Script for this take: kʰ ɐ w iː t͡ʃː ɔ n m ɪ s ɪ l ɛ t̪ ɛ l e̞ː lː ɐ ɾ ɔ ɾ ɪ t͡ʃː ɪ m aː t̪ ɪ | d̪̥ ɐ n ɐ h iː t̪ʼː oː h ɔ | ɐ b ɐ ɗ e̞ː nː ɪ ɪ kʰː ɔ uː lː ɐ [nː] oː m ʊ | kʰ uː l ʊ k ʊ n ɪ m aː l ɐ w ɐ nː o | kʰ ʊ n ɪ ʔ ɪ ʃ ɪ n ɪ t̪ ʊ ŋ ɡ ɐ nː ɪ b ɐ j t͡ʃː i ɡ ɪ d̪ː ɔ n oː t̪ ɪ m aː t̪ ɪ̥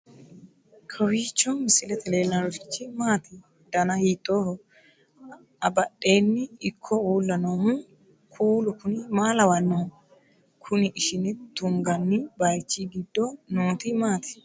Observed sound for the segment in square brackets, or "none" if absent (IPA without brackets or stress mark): n